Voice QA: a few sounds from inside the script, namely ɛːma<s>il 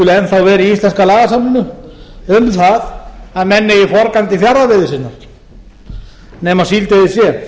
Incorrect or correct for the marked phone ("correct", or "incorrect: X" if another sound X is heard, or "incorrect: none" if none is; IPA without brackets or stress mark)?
correct